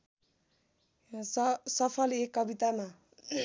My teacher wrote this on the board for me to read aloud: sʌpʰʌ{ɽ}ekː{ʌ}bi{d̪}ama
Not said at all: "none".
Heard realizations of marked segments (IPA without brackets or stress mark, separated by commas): l, ʌ, t̪